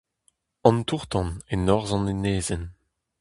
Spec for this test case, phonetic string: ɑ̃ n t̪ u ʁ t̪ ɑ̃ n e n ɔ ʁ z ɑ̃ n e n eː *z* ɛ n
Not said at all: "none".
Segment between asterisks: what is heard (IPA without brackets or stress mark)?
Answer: z